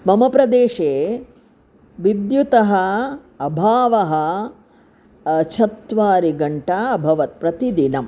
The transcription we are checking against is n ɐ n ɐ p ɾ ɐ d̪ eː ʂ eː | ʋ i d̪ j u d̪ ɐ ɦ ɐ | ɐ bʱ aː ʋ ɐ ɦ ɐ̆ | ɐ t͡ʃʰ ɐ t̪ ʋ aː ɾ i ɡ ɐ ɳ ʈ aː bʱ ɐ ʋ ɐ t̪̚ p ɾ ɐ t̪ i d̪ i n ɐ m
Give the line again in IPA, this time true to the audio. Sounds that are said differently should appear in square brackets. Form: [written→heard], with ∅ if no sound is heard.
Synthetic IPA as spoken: [n→m] ɐ [n→m] ɐ p ɾ ɐ d̪ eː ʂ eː | ʋ i d̪ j u [d̪→t̪] ɐ ɦ ɐ | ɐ bʱ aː ʋ ɐ ɦ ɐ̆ | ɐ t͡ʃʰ ɐ t̪ ʋ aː ɾ i ɡ ɐ ɳ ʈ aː bʱ ɐ ʋ ɐ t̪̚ p ɾ ɐ t̪ i d̪ i n ɐ m